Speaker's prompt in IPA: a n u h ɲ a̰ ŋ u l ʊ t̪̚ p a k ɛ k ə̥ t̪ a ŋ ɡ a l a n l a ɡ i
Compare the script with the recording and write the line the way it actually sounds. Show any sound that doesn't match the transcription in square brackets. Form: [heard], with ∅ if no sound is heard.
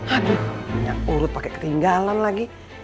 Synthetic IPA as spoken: a [d] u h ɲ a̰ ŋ u [ɾ] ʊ t̪̚ p a k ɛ k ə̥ t̪ [i] ŋ ɡ a l a n l a ɡ i